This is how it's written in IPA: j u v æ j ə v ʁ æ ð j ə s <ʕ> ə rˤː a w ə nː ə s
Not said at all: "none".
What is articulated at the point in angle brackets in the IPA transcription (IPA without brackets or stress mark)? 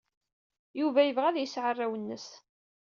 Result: ʕ